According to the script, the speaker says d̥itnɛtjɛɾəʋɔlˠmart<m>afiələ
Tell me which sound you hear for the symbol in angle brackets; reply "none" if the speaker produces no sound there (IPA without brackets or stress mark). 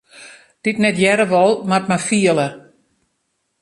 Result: m